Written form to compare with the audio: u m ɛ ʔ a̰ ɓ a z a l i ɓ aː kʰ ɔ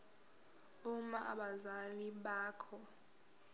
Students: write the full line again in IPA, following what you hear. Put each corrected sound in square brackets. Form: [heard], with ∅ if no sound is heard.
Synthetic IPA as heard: u m [a] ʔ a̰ ɓ a z a l i ɓ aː kʰ ɔ